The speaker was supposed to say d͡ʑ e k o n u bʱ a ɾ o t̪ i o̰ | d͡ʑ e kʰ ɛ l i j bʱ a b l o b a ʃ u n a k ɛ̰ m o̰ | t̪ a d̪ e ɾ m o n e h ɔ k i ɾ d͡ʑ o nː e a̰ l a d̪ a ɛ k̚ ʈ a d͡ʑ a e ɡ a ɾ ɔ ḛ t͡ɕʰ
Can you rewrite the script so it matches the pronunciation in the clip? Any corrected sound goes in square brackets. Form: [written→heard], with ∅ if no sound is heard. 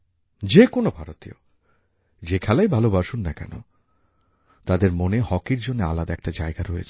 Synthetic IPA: d͡ʑ e k o n [u→o] bʱ a ɾ o t̪ i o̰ | d͡ʑ e kʰ ɛ l [i→a] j bʱ a [b→∅] l o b a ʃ u [n→nː] a k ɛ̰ [m→n] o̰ | t̪ a d̪ e ɾ m o n e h ɔ k i ɾ d͡ʑ o nː e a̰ l a d̪ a ɛ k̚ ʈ a d͡ʑ a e ɡ a ɾ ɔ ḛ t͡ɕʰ

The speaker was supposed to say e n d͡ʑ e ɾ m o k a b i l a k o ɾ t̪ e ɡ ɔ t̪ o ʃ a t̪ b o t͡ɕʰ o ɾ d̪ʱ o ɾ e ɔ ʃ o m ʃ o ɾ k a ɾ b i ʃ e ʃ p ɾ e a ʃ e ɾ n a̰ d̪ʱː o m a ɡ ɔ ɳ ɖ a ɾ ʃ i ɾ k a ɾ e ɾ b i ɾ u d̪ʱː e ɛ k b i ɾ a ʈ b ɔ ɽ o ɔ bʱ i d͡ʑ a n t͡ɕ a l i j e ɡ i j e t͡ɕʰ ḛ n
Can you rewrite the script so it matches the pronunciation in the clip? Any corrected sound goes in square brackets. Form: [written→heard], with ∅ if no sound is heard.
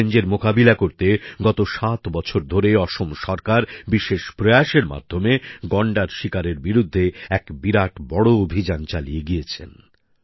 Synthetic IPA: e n d͡ʑ e ɾ m o k a b i l a k o ɾ t̪ e ɡ ɔ t̪ o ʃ a t̪ b [o→ɔ] t͡ɕʰ o ɾ d̪ʱ o ɾ e ɔ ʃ o m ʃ [o→ɔ] ɾ k a ɾ b i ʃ e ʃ p ɾ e a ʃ e ɾ [n→m] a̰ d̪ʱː o m [a→e] ɡ ɔ ɳ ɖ a ɾ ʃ i [ɾ→∅] k a ɾ e ɾ b i ɾ u d̪ʱː e ɛ k b i ɾ a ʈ b ɔ ɽ o [ɔ→o] bʱ i d͡ʑ a n t͡ɕ a l i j e ɡ i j e t͡ɕʰ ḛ n

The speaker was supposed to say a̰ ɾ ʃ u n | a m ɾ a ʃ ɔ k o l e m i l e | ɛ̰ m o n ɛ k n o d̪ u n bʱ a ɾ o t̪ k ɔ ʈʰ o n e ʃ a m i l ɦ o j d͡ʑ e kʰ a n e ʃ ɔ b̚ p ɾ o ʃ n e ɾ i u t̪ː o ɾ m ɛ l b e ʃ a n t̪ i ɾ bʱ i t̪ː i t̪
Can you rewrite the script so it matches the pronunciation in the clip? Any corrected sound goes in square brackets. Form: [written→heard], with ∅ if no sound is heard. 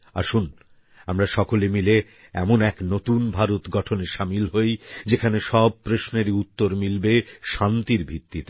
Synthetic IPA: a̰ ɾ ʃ u n | a m ɾ a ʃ ɔ k o l e m i l e | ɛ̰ m o n ɛ k n o [d̪→t̪] u n bʱ a ɾ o t̪ [k→ɡ] ɔ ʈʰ o n e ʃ a m i l ɦ o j d͡ʑ e kʰ a n e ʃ ɔ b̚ p ɾ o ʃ n e ɾ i u t̪ː o ɾ m [ɛ→i] l b e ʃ a n t̪ i ɾ bʱ i t̪ː i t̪

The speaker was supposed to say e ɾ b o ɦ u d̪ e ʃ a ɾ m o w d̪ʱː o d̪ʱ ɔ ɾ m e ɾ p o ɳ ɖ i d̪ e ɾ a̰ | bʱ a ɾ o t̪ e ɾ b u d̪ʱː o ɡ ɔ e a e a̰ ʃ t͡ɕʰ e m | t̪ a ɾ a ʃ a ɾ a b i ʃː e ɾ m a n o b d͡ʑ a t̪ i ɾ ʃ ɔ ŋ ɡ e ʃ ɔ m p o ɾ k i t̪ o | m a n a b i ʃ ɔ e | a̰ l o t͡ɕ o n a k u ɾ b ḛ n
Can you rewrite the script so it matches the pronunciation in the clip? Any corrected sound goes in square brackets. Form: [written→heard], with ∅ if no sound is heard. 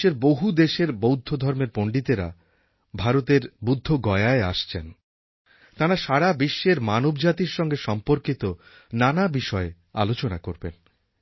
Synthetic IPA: e ɾ b o ɦ u d̪ e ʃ [a→e] ɾ [m→b] o w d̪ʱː o d̪ʱ ɔ ɾ m e ɾ p o ɳ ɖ i [d̪→t̪] e ɾ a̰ | bʱ a ɾ o t̪ e ɾ b u d̪ʱː o ɡ ɔ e a e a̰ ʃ t͡ɕʰ e [m→n] | t̪ a ɾ a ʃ a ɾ a b i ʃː e ɾ m a n o b d͡ʑ a t̪ i ɾ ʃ ɔ ŋ ɡ e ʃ ɔ m p o ɾ k i t̪ o | [m→n] a n a b i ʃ ɔ e | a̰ l o t͡ɕ o n a k [u→o] ɾ b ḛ n

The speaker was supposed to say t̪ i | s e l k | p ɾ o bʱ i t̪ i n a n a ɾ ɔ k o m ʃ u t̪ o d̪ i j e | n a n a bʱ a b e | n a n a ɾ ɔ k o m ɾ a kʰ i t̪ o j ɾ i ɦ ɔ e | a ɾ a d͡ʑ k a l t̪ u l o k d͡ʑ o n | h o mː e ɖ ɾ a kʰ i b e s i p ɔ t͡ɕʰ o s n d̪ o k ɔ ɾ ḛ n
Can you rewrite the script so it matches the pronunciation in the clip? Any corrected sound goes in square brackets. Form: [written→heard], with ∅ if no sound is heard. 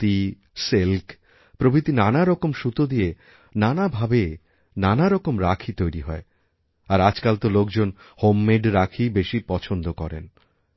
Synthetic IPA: t̪ i | s e l k | p ɾ o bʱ i t̪ i n a n a ɾ ɔ k o m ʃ u t̪ o d̪ i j e | n a n a bʱ a b e | n a n a ɾ ɔ k o m ɾ a kʰ i t̪ o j ɾ i ɦ ɔ e | a ɾ a d͡ʑ k a l t̪ [u→o] l o k d͡ʑ o n | h o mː e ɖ ɾ a kʰ i b e [s→ʃ] i p ɔ t͡ɕʰ o [s→∅] n d̪ o k ɔ ɾ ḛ n

